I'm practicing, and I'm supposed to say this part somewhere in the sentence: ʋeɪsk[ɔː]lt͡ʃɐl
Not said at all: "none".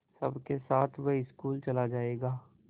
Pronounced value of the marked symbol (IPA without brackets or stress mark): uː